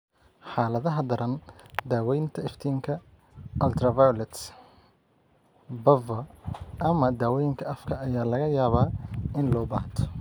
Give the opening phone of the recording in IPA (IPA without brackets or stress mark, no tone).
ħ